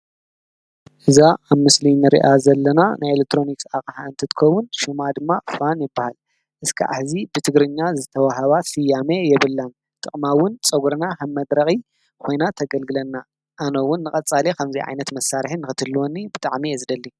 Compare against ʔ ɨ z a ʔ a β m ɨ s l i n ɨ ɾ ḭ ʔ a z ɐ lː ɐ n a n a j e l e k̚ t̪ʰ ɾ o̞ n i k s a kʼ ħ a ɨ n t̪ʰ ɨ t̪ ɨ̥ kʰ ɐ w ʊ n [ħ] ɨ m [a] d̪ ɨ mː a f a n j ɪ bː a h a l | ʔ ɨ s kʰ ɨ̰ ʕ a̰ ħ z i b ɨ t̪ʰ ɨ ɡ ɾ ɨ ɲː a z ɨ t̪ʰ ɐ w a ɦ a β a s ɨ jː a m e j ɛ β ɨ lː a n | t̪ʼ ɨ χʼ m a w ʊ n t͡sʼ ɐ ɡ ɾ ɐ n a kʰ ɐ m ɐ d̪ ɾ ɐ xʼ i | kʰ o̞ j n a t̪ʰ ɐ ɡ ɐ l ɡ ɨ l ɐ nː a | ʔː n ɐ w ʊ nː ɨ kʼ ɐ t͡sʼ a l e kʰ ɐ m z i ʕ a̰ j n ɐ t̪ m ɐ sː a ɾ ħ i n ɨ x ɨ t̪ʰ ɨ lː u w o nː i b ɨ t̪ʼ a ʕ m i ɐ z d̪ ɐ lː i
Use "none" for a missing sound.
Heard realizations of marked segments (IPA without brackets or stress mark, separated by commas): ʃ, a